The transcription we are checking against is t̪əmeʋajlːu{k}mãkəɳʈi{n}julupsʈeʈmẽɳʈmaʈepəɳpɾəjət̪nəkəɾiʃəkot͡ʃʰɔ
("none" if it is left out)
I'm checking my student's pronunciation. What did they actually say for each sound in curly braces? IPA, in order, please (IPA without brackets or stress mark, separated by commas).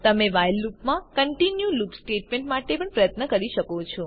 p, n